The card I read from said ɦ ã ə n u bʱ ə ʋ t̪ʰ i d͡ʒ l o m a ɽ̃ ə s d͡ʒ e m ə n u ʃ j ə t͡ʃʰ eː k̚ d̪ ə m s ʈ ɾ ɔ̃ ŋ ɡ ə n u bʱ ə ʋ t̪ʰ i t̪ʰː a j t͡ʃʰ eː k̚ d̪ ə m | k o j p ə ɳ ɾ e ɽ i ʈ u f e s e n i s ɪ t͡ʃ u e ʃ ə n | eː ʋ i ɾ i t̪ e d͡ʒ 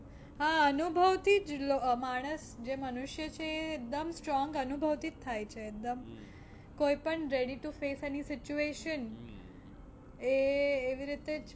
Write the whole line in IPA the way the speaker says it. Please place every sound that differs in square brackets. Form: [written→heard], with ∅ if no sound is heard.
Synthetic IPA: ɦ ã ə n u bʱ ə ʋ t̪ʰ i d͡ʒ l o m a ɽ̃ ə s d͡ʒ e m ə n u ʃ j ə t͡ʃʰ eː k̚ d̪ ə m s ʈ ɾ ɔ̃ ŋ ɡ ə n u bʱ ə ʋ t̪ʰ i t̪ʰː a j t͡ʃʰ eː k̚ d̪ ə m | k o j p ə ɳ ɾ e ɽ i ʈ u f e s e n i s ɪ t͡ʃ u e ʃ ə n | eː ʋ i ɾ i t̪ e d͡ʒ